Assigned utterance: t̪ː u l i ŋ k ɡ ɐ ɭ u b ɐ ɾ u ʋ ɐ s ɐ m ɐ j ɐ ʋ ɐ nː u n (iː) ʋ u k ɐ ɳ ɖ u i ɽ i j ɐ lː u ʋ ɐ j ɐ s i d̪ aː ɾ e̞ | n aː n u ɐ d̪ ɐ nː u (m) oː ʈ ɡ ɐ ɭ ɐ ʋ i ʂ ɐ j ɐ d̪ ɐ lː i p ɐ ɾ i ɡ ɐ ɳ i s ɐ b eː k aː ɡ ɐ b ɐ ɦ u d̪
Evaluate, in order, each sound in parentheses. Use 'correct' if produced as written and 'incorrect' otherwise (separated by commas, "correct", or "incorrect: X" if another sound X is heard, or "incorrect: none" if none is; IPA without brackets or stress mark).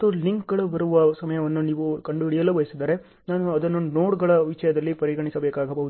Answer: correct, incorrect: n